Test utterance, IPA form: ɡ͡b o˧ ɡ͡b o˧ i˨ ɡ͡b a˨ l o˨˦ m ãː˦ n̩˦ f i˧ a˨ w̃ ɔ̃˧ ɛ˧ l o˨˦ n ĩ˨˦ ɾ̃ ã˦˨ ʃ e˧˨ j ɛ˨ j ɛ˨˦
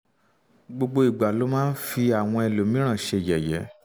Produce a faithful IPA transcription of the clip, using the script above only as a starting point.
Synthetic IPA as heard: ɡ͡b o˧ ɡ͡b o˧ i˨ ɡ͡b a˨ l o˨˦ m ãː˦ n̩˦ f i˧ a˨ w̃ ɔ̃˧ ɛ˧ l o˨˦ m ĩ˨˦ ɾ̃ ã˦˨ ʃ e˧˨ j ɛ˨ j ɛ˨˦